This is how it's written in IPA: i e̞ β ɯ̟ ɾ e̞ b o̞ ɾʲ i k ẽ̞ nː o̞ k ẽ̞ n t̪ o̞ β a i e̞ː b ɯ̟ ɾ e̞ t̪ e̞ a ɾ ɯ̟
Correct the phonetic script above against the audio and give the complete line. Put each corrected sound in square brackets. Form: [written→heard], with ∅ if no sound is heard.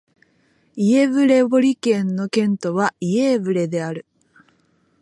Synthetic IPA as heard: i e̞ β ɯ̟ ɾ e̞ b o̞ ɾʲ i k ẽ̞ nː o̞ k ẽ̞ n t̪ o̞ β a i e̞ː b ɯ̟ ɾ e̞ [t̪→d̪] e̞ a ɾ ɯ̟